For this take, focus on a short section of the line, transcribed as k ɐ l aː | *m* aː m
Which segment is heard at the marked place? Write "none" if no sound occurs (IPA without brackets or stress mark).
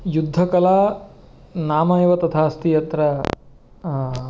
n